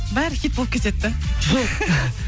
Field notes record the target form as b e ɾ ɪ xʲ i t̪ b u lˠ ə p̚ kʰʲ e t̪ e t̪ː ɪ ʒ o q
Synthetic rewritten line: b æ ɾ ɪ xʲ i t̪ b o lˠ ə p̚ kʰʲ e t̪ e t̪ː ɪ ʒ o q